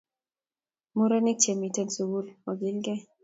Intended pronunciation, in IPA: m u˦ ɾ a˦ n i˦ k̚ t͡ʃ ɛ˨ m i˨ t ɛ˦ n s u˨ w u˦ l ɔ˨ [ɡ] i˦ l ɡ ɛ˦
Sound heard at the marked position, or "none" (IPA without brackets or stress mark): ɡ